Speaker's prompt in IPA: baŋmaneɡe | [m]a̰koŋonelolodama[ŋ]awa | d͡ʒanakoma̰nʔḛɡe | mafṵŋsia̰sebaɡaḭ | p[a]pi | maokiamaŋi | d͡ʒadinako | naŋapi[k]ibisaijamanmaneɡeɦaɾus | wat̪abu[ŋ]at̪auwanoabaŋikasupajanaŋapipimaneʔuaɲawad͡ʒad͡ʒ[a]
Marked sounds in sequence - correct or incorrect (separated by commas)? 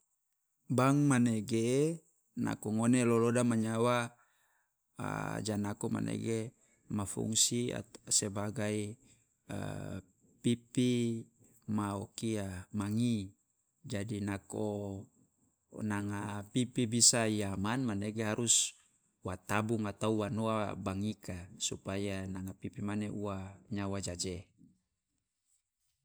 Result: incorrect, incorrect, incorrect, incorrect, correct, incorrect